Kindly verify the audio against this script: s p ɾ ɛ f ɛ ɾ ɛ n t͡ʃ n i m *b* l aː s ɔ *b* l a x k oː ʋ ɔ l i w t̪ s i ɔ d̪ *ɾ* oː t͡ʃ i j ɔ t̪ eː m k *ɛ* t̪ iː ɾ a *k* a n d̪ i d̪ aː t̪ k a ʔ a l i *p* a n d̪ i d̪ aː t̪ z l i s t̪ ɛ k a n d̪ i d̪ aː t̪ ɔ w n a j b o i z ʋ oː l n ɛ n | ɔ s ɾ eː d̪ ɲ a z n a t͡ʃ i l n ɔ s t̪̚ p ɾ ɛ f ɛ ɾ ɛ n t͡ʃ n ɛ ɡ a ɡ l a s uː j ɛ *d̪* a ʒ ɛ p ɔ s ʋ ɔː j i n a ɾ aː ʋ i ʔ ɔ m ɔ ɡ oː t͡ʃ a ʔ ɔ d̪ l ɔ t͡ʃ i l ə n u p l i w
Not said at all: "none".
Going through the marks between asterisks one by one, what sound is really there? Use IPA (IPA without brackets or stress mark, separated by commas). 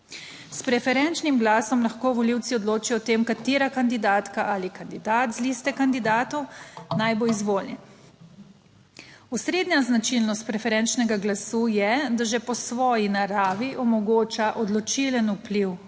ɡ, m, l, a, k, k, d̪